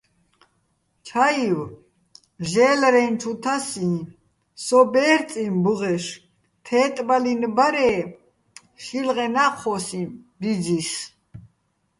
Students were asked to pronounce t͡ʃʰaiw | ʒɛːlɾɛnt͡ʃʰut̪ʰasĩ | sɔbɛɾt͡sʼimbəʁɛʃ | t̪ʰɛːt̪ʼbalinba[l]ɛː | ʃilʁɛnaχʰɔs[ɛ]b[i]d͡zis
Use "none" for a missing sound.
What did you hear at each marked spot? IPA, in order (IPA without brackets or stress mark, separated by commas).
ɾ, i, i